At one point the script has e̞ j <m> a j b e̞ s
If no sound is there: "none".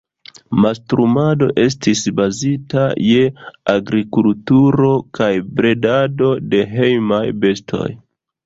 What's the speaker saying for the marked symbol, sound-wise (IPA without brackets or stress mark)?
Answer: m